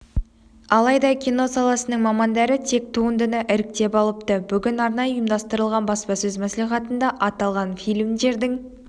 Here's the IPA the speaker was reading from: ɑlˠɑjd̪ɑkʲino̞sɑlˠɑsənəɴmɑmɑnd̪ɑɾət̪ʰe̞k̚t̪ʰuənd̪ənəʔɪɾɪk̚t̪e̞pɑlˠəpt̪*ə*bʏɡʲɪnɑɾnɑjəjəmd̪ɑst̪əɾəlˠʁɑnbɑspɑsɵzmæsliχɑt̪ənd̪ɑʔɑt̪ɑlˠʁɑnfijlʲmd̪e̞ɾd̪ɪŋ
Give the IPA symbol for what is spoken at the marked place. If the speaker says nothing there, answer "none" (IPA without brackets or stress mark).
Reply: ə